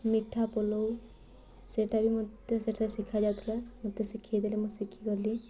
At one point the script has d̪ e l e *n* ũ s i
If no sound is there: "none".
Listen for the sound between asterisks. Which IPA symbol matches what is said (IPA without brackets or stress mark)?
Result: m